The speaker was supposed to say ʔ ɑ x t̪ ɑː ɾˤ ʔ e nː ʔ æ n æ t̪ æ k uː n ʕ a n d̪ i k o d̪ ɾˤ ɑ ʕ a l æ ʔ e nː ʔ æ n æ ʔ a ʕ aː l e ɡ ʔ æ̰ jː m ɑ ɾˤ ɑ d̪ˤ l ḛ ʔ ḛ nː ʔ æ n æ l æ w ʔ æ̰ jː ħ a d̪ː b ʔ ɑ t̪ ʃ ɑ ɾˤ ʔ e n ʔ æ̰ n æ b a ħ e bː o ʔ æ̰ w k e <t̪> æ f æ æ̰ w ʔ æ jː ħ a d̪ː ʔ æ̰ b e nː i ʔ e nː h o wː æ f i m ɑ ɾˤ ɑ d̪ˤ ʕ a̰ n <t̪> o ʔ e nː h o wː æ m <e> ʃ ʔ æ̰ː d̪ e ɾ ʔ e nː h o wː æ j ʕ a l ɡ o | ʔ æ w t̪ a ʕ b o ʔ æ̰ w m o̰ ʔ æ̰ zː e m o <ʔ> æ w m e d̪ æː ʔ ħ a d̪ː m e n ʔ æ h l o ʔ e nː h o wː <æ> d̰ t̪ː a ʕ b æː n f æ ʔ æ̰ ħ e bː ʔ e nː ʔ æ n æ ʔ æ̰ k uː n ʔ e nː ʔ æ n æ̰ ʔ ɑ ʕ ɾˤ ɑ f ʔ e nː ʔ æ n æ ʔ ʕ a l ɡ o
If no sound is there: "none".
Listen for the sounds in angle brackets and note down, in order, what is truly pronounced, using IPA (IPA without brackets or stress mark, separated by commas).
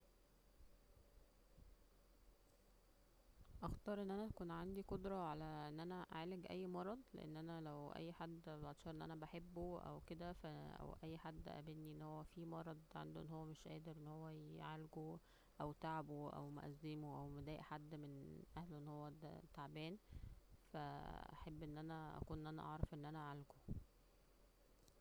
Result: d̪, d̪, e, ʔ, æ